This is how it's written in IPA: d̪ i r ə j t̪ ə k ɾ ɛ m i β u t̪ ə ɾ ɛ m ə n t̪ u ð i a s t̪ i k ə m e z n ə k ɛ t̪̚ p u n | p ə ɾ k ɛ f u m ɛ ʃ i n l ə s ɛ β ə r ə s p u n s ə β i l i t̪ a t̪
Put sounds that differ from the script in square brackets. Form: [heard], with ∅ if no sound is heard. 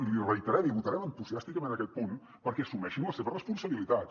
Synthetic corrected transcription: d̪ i r ə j t̪ ə [∅] ɾ ɛ m i β u t̪ ə ɾ ɛ m ə n t̪ u [z] i a s t̪ i k ə m e [∅] n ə k ɛ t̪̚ p u n | p ə ɾ k ɛ [s] u m ɛ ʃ i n l ə s [e] β ə r ə s p u n s ə β i l i t̪ a t̪